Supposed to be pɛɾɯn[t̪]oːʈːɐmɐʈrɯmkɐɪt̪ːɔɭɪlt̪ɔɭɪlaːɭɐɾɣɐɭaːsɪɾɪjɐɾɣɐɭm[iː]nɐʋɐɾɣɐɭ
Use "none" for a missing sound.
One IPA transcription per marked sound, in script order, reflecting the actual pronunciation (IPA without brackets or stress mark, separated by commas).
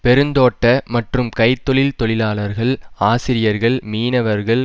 d̪, iː